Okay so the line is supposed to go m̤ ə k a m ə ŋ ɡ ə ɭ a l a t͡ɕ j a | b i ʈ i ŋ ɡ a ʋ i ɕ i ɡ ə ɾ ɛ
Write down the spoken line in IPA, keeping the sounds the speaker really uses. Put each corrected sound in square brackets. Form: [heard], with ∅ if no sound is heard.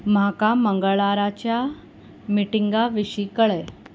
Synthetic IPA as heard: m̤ [a] k a m ə ŋ ɡ ə ɭ a [ɾ] a t͡ɕ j a | [m] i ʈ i ŋ ɡ a ʋ i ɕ i [k] ə [ɭ] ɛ